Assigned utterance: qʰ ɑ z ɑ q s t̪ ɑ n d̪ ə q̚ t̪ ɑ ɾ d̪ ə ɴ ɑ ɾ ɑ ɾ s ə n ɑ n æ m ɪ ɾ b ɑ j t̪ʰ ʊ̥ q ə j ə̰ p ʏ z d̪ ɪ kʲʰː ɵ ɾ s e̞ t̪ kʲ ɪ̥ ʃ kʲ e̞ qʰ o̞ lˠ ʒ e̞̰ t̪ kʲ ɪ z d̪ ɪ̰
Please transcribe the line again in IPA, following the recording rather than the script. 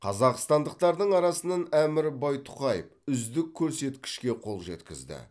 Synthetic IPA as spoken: qʰ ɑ z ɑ q s t̪ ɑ n d̪ ə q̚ t̪ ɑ ɾ d̪ ə ɴ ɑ ɾ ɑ s ə n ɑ n æ m ɪ ɾ b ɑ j t̪ʰ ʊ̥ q ɑ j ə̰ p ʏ z d̪ ɪ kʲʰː ɵ ɾ s e̞ t̪ kʲ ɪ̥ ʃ kʲ e̞ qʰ o̞ lˠ ʒ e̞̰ t̪ kʲ ɪ z d̪ ɪ̰